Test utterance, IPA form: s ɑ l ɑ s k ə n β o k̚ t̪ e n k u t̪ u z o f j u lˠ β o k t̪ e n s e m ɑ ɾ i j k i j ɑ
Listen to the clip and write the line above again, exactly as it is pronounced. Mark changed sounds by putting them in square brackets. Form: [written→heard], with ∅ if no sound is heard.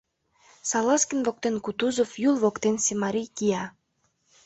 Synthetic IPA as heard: s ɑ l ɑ s k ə n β o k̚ t̪ e n k u t̪ u z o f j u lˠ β o k t̪ e n s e m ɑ ɾ i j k i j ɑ